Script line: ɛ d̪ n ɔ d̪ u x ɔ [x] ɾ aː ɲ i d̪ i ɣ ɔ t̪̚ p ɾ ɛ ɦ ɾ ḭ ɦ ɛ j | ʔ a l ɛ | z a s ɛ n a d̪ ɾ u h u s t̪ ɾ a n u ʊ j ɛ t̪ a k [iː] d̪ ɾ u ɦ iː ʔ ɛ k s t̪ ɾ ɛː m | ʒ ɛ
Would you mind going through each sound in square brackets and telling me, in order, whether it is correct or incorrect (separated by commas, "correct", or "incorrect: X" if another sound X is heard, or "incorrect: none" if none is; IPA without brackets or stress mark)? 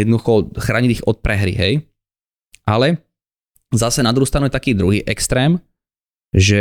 correct, correct